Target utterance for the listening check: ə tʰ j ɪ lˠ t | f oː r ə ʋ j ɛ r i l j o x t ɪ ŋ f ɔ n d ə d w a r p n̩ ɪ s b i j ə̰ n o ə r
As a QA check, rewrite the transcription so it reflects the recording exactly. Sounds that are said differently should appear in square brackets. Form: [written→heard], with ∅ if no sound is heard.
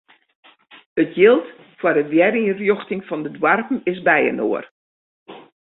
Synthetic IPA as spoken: ə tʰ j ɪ lˠ t | f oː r ə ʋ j ɛ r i [l→r] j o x t ɪ ŋ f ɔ n d ə d w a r p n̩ ɪ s b [i→ɛ] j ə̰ n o ə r